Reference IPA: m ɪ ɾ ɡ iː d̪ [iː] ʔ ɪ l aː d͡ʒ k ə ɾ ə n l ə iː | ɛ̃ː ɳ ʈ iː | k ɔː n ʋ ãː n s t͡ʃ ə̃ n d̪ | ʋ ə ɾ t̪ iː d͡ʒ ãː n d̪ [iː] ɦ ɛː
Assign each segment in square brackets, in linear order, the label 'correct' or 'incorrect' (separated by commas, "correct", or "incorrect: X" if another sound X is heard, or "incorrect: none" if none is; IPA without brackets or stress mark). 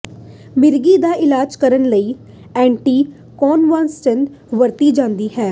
incorrect: aː, correct